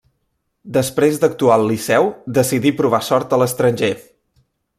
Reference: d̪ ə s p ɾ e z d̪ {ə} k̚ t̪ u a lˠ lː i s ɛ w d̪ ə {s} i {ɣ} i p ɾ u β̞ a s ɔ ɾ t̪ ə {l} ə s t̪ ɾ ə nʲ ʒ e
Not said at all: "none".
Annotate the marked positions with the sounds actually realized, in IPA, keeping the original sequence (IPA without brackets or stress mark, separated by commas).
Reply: ə, s, ð, l